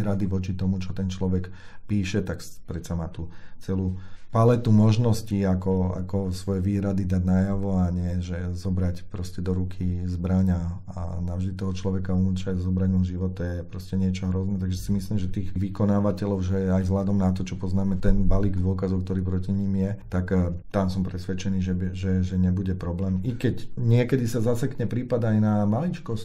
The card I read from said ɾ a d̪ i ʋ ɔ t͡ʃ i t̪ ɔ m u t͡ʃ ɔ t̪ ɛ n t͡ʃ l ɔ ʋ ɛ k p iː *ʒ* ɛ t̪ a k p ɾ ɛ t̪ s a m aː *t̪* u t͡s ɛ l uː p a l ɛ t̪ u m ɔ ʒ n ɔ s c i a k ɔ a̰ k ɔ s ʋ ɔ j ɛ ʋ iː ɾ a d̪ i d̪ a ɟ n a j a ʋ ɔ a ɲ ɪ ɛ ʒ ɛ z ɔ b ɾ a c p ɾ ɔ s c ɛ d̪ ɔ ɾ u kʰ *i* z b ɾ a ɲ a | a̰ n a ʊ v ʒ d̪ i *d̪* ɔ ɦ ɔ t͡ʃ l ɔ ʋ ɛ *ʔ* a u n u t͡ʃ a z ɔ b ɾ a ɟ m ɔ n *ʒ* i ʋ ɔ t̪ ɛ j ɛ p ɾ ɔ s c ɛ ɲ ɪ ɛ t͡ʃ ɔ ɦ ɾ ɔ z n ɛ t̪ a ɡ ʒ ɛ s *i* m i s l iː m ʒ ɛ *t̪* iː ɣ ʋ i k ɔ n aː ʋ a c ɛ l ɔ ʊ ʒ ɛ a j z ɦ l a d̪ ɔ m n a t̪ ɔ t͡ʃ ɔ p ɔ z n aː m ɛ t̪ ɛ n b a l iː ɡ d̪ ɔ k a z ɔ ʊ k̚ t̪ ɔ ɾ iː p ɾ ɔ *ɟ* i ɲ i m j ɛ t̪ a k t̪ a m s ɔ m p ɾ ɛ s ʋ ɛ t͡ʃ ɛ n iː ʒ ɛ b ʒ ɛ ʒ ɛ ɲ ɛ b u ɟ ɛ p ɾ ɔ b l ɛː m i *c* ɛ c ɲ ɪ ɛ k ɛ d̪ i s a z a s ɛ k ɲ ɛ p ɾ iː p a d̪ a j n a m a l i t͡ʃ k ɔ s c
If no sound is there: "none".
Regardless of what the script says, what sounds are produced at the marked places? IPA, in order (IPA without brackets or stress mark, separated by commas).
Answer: ʃ, t̪, i, t̪, k, ʒ, i, t̪, c, k